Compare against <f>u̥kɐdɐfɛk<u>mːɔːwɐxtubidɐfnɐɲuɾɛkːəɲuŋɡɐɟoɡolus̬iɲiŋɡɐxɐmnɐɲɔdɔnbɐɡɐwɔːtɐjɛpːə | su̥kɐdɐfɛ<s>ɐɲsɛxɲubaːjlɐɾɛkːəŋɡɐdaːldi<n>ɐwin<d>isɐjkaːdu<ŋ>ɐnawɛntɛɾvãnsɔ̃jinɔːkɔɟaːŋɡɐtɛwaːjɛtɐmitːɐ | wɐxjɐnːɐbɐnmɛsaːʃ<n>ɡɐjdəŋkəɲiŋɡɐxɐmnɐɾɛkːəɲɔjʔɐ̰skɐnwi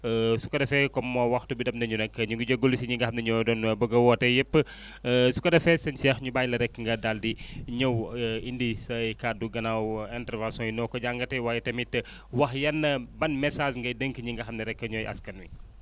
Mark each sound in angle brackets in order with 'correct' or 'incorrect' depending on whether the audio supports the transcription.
incorrect, incorrect, correct, incorrect, correct, incorrect, incorrect

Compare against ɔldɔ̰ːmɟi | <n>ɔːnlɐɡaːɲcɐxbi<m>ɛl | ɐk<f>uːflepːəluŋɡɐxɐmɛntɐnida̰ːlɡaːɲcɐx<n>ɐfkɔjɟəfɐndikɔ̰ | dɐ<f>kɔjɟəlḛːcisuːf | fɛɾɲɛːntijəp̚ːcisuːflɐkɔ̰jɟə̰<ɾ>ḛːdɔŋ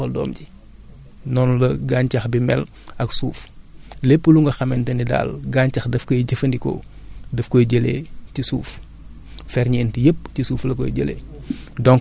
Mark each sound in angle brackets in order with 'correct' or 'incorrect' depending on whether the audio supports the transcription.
correct, correct, incorrect, incorrect, correct, incorrect

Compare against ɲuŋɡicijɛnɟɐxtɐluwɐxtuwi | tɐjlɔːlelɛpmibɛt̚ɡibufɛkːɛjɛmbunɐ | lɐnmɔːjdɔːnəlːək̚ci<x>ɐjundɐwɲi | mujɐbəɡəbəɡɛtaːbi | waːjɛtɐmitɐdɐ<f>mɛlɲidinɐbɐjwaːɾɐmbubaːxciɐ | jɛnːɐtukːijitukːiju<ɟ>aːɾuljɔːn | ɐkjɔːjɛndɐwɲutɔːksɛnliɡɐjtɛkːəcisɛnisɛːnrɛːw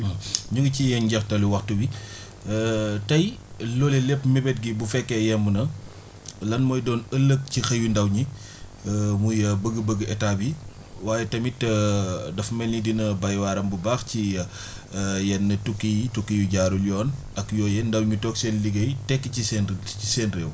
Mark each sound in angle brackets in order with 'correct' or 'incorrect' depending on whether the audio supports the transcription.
correct, correct, correct

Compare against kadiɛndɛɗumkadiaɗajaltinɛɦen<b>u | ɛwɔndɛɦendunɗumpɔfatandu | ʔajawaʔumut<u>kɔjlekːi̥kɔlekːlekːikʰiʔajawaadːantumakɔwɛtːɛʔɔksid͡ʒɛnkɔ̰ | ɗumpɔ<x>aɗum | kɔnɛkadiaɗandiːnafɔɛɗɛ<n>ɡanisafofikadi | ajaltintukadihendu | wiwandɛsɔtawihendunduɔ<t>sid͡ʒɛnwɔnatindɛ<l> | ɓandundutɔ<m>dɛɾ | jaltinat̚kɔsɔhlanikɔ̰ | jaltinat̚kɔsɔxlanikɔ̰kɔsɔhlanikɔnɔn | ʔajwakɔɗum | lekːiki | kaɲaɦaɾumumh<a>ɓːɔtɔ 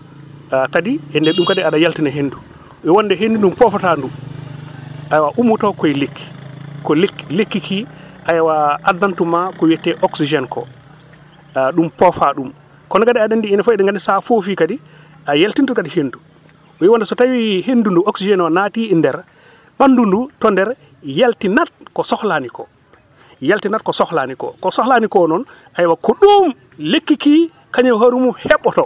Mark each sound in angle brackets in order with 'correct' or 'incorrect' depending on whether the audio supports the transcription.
incorrect, incorrect, incorrect, incorrect, incorrect, incorrect, incorrect, incorrect

